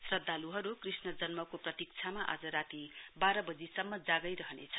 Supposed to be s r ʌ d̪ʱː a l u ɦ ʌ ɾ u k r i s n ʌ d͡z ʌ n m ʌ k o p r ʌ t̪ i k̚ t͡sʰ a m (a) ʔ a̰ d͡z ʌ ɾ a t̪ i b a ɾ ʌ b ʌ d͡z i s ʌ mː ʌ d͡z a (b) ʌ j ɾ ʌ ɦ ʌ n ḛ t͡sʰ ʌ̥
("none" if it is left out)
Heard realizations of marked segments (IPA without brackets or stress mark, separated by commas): a, ɡ